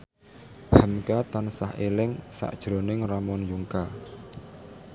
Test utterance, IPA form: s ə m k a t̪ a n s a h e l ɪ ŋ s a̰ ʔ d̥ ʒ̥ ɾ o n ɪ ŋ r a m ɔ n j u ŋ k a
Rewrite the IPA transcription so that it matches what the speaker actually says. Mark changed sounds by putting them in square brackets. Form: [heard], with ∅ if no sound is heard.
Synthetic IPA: [h] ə m k a t̪ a n s a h e l ɪ ŋ s a̰ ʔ d̥ ʒ̥ ɾ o n ɪ ŋ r a m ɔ n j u ŋ k a